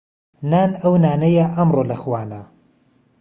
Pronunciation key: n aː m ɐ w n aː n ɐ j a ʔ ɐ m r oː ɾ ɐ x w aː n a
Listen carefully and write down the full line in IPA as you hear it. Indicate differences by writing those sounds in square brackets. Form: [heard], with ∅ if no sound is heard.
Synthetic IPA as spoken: n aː [n] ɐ w n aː n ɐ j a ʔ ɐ m r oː [l] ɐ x w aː n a